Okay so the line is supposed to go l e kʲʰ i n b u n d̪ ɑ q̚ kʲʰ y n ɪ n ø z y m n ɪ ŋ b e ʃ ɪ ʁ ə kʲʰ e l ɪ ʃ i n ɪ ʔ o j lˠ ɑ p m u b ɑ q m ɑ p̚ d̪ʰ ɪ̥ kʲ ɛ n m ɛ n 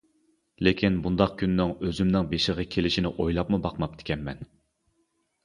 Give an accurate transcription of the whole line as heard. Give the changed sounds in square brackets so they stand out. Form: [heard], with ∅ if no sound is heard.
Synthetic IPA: l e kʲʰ i n b u n d̪ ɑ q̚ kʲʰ y [nː] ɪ [ŋ] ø z y m n ɪ ŋ b e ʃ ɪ ʁ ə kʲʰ e l ɪ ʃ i n ɪ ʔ o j lˠ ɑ p m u b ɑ q m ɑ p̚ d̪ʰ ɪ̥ kʲ ɛ n m ɛ n